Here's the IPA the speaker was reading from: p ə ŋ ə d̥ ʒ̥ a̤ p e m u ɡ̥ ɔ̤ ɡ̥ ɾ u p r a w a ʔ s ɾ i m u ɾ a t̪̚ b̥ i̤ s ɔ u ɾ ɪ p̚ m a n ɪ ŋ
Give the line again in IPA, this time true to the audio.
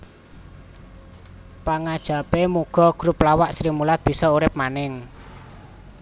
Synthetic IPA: p a ŋ a d̥ ʒ̥ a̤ p e m u ɡ̥ ɔ̤ ɡ̥ ɾ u p l a w a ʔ s ɾ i m u l a t̪̚ b̥ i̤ s ɔ u ɾ ɪ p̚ m a n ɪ ŋ